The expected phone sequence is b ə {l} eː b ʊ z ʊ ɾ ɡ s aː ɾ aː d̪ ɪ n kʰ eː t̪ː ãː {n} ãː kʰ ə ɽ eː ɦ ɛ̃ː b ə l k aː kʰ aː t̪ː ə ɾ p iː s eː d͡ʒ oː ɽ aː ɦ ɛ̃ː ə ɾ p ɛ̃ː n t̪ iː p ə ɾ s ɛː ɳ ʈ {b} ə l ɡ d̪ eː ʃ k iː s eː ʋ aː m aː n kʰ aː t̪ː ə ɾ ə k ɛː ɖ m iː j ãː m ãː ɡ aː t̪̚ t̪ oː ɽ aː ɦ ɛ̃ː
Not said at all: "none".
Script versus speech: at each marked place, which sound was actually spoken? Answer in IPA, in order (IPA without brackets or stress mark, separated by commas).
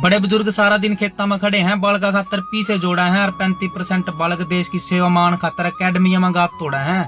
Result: ɽ, m, b